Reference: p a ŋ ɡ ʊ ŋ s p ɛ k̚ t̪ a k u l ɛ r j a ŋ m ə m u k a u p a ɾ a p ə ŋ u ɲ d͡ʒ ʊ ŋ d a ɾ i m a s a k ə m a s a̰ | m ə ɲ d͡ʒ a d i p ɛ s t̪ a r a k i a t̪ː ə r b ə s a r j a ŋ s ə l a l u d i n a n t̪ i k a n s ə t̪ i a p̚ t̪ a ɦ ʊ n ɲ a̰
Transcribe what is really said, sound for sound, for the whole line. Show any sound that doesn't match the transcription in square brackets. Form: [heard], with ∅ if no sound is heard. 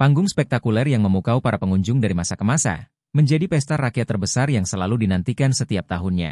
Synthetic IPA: p a ŋ ɡ ʊ ŋ s p ɛ k̚ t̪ a k u l ɛ r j a ŋ m ə m u k a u p a ɾ a p ə ŋ u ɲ d͡ʒ ʊ ŋ d a ɾ i m a s a k ə m a s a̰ | m ə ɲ d͡ʒ a d i p ɛ s t̪ a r a k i a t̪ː ə r b ə s a r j a ŋ s ə l a l u d i n a n t̪ i k a n s ə t̪ i a p̚ t̪ a ɦ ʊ n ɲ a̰